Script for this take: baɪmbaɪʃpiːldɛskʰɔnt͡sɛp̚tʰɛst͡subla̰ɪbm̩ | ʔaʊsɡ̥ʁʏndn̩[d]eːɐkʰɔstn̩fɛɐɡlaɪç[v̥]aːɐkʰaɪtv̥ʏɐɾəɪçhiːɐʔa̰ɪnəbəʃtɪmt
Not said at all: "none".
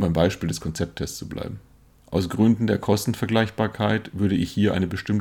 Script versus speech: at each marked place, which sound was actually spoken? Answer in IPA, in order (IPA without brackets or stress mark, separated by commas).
d, b̥